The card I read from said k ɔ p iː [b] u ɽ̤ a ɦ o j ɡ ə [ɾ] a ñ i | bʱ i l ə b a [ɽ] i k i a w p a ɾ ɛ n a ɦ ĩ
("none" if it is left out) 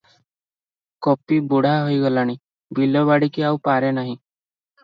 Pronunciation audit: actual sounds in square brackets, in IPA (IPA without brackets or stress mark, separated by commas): b, l, ɽ